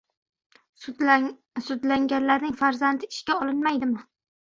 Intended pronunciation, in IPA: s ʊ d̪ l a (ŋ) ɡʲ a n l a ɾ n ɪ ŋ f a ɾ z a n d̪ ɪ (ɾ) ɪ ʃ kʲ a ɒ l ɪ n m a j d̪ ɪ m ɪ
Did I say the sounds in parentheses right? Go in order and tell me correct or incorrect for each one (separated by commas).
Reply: correct, incorrect